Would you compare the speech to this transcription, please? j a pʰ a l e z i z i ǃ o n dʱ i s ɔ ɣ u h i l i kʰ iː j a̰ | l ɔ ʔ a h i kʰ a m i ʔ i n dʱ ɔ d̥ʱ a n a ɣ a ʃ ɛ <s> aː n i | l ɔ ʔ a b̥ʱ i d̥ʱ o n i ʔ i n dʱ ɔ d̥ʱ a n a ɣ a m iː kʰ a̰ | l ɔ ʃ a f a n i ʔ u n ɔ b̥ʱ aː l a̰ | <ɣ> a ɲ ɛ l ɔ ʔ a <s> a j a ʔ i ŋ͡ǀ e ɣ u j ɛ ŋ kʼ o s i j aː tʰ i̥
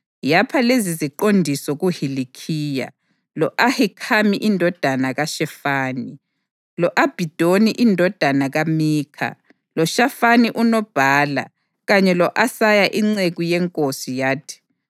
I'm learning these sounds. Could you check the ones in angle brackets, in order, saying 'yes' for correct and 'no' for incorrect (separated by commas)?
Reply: no, yes, yes